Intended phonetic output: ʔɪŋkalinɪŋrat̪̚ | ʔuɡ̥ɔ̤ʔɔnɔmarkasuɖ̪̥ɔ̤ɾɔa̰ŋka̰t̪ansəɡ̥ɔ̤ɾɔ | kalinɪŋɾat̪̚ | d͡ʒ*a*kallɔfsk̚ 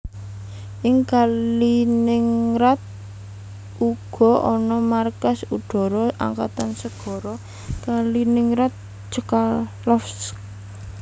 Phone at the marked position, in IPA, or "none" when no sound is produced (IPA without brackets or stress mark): ə